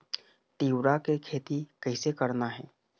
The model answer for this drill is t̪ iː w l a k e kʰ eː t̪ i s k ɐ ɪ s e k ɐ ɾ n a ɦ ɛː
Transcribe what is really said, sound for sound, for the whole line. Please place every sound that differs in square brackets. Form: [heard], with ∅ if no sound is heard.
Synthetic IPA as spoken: t̪ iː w [ɾ] a k e kʰ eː t̪ i [∅] k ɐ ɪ s e k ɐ ɾ n a ɦ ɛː